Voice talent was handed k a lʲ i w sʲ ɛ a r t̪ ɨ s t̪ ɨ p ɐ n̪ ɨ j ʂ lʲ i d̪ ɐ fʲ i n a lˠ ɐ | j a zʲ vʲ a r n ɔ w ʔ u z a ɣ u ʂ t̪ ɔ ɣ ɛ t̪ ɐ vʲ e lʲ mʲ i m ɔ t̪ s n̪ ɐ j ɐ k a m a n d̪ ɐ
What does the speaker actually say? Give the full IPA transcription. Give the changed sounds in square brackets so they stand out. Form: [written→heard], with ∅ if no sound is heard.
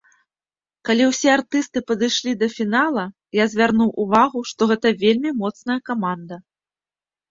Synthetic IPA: k a lʲ i w sʲ ɛ a r t̪ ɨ s t̪ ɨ p ɐ [n̪→d̪] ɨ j ʂ lʲ i d̪ ɐ fʲ i n a lˠ ɐ | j a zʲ vʲ a r n [ɔ→u] w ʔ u [z→v] a ɣ u ʂ t̪ ɔ ɣ ɛ t̪ ɐ vʲ e lʲ mʲ i m ɔ t̪ s n̪ ɐ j ɐ k a m a n d̪ ɐ